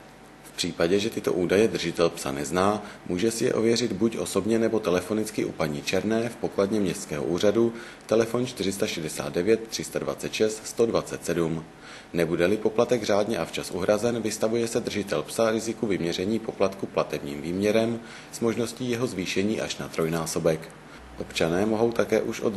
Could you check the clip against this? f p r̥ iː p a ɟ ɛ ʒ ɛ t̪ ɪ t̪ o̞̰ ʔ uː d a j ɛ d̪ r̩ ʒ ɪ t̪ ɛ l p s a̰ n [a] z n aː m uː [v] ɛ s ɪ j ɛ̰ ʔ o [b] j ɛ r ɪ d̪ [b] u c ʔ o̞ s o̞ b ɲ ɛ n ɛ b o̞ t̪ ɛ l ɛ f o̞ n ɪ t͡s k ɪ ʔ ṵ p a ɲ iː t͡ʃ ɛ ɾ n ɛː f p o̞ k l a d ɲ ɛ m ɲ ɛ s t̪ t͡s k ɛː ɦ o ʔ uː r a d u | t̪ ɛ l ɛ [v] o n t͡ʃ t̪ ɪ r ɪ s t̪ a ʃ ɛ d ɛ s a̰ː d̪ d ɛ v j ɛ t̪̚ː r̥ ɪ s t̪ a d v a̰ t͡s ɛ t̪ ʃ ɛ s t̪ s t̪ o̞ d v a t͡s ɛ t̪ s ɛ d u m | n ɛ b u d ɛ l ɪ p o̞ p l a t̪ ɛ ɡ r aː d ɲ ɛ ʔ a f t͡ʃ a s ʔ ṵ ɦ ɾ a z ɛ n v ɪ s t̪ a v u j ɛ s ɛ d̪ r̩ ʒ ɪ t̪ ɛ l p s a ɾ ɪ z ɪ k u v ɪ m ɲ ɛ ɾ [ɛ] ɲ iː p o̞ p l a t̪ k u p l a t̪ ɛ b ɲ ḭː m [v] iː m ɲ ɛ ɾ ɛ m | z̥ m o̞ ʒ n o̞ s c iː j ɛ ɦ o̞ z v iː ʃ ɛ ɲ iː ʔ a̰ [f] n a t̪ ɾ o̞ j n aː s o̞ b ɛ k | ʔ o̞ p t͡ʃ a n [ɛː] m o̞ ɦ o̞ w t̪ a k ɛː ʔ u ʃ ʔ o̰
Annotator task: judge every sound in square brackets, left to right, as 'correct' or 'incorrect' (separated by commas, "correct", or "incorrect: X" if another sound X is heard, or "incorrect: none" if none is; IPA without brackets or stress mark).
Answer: incorrect: ɛ, incorrect: ʒ, incorrect: v, correct, incorrect: f, correct, correct, incorrect: ʃ, correct